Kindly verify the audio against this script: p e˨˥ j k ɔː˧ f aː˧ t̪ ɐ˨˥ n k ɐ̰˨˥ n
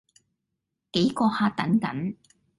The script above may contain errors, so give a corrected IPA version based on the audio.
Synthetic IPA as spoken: k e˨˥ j k ɔː˧ h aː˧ t̪ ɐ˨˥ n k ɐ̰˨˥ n